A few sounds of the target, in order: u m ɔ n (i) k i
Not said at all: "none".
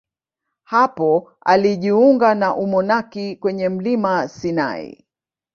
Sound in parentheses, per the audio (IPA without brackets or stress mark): a